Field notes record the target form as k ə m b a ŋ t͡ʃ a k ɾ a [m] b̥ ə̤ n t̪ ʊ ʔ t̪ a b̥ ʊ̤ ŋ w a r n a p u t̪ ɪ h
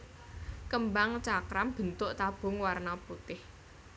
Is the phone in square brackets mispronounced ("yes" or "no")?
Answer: no